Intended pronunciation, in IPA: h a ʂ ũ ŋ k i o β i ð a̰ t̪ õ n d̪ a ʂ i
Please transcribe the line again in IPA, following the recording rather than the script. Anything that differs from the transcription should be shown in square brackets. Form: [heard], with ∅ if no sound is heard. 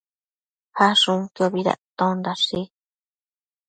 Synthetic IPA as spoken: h a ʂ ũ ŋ k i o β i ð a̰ t̪ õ n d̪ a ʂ i